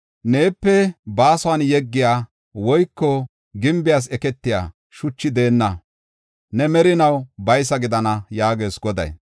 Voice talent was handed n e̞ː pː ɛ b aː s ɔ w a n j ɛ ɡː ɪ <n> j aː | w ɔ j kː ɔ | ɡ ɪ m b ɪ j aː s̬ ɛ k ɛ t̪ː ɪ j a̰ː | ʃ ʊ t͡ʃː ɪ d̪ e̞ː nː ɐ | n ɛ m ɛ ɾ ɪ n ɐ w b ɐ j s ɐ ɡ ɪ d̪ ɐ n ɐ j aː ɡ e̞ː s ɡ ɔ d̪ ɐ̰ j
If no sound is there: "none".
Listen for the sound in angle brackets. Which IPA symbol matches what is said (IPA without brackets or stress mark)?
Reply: none